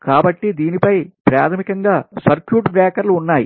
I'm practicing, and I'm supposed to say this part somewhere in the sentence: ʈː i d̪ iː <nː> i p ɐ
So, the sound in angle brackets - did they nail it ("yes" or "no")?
no